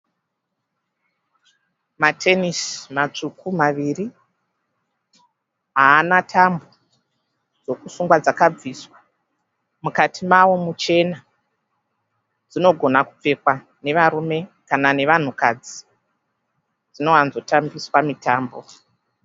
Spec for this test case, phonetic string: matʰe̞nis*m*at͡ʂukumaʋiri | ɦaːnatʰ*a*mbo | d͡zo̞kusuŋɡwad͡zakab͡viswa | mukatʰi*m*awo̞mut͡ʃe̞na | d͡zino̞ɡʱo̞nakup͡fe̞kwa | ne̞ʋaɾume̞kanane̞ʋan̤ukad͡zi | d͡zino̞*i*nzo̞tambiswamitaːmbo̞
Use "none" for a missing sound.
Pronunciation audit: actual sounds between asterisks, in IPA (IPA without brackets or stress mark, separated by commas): m, a, m, a